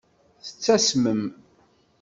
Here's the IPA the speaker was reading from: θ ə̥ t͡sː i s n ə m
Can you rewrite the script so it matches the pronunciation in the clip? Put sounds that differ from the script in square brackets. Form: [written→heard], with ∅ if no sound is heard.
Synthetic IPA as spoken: θ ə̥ t͡sː [i→æ] s [n→m] ə m